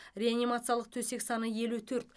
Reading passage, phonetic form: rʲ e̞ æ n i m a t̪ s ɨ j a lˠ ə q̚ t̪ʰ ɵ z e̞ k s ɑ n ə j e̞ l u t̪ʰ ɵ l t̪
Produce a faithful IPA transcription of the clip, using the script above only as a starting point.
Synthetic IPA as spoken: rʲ e̞ a n i m a t̪ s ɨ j a lˠ ə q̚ t̪ʰ ɵ s e̞ k s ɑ n ə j e̞ l u t̪ʰ ɵ ɾ t̪